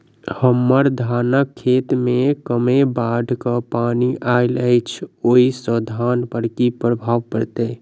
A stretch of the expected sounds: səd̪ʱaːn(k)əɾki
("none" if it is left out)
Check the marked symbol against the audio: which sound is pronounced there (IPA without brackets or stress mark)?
p